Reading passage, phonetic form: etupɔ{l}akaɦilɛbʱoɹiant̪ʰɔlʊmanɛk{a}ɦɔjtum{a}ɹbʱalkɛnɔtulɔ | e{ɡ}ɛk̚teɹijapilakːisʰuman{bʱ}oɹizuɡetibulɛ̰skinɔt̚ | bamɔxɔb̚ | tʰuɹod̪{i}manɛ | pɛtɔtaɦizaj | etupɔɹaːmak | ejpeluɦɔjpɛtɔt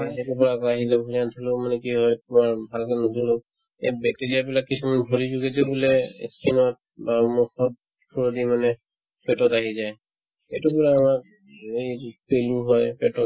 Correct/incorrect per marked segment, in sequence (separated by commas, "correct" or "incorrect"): incorrect, incorrect, correct, incorrect, correct, correct